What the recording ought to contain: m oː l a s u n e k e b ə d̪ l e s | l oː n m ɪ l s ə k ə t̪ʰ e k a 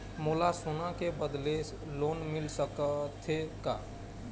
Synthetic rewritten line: m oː l a s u n a k e b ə d̪ l e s | l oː n m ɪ l s ə k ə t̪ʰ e k a